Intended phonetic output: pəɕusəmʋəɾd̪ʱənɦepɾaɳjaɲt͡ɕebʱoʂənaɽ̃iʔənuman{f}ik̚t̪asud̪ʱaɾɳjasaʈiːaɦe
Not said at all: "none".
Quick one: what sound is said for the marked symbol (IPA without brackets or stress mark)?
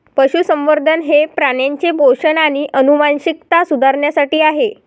ɕ